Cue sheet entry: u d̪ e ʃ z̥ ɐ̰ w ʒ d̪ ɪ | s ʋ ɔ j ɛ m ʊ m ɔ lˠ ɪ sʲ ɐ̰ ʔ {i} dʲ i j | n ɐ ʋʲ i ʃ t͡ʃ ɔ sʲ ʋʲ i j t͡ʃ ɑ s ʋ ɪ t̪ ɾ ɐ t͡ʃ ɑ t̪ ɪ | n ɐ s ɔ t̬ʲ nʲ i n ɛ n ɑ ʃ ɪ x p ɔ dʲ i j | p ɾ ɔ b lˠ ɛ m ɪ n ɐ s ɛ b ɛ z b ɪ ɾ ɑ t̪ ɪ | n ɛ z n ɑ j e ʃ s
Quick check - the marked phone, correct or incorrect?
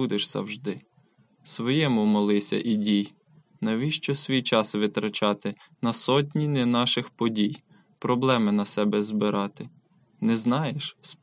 correct